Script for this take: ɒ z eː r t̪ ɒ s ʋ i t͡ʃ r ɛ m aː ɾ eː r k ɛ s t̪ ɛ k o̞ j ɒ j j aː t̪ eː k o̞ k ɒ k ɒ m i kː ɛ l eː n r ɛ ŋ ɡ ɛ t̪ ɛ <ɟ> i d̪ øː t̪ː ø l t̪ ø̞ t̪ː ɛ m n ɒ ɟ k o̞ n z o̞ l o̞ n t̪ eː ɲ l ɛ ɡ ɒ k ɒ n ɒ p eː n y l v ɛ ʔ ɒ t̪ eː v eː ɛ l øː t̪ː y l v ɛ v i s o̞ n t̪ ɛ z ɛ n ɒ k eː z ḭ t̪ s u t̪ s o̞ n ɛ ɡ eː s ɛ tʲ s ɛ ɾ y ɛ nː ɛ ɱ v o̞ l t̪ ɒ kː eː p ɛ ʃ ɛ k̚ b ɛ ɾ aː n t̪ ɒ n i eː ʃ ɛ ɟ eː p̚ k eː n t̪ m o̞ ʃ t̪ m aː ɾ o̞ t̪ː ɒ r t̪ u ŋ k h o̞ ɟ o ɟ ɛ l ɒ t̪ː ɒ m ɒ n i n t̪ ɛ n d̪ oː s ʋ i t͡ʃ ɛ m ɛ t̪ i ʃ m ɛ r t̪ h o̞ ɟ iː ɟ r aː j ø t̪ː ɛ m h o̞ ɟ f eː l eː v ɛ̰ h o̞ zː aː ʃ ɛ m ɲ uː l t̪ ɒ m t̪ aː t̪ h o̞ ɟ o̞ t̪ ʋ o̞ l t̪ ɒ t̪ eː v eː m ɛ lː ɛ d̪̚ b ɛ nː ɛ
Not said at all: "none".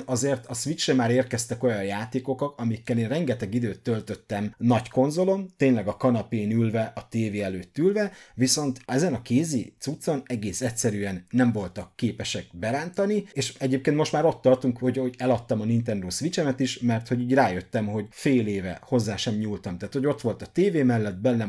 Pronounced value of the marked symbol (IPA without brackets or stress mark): ɡ